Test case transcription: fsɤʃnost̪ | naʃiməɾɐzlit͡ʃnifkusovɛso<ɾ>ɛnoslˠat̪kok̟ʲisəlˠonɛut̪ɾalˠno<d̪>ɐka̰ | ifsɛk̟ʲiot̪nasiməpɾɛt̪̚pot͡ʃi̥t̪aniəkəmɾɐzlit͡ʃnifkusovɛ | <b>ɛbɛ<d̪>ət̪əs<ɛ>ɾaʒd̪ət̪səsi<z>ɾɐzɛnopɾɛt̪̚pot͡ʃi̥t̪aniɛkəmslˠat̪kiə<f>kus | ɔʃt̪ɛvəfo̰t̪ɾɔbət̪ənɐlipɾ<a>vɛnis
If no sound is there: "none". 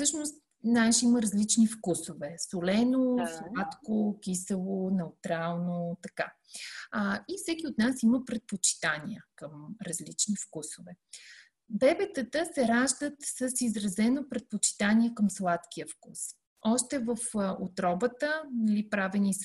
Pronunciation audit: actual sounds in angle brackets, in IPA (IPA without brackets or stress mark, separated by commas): l, t̪, b, t̪, ɛ, z, f, a